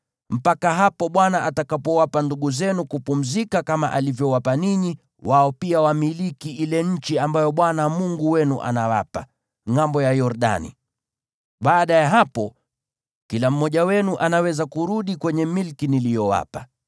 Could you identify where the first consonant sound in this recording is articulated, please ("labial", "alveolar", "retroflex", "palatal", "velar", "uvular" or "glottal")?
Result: labial